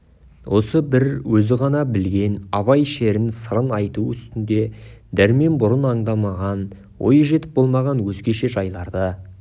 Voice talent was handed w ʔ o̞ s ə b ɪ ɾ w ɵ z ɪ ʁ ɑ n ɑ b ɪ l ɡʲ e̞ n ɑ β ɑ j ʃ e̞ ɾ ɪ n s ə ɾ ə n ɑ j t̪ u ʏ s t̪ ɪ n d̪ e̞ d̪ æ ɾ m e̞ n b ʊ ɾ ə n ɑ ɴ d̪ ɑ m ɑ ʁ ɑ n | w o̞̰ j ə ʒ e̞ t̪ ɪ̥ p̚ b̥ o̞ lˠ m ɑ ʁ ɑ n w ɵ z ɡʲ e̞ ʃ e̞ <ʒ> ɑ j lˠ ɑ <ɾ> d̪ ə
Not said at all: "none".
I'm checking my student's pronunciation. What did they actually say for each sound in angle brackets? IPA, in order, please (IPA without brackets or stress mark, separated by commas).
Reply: ʒ, ɾ